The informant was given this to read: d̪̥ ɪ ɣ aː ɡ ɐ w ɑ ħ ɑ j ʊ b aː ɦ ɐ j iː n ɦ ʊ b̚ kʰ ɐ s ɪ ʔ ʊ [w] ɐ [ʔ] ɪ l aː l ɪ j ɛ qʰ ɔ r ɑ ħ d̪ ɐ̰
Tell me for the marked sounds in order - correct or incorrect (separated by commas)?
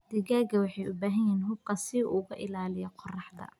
incorrect, correct